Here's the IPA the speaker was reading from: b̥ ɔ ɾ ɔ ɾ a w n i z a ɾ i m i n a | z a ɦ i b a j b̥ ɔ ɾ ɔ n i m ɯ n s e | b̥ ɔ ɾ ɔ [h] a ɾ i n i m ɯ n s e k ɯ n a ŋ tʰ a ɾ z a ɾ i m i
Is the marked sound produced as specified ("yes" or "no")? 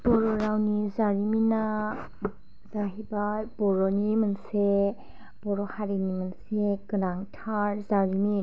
yes